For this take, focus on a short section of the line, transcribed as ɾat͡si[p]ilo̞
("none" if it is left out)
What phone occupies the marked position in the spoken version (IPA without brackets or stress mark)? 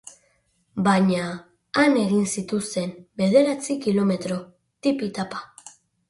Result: k